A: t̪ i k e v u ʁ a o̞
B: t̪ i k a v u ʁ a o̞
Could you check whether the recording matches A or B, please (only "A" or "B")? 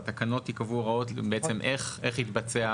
B